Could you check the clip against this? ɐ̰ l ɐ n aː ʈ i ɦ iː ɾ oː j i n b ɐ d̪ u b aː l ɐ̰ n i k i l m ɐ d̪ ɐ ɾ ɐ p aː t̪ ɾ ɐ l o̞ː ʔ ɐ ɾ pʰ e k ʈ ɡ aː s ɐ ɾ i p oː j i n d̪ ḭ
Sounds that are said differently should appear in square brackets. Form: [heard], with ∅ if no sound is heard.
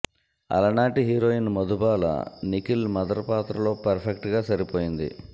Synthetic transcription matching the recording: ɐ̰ l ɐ n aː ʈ i ɦ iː ɾ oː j i n [m] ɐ d̪ u b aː l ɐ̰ n i k i l m ɐ d̪ ɐ ɾ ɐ p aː t̪ ɾ ɐ l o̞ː [p] ɐ ɾ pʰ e k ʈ ɡ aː s ɐ ɾ i p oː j i n d̪ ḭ